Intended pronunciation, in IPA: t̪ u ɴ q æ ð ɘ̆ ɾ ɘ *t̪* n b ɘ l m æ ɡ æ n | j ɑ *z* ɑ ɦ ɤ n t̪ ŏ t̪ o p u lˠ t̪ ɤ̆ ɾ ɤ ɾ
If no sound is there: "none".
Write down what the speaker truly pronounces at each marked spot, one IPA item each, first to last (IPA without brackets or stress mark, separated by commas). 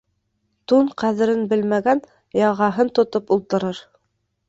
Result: none, ʁ